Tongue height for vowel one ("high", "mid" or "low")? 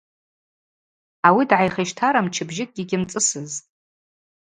low